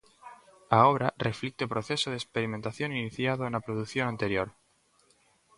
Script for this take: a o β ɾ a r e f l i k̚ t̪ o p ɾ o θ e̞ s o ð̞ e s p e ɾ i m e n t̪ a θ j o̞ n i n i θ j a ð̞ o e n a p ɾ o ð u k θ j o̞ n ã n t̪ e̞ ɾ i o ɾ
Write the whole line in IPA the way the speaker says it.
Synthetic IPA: a o β ɾ a r e f l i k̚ t̪ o p ɾ o θ e̞ s o ð̞ e s p e ɾ i m e n t̪ a θ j o̞ n i n i θ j a ð̞ o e n a p ɾ o ð u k θ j o̞ n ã n t̪ e̞ ɾ j o ɾ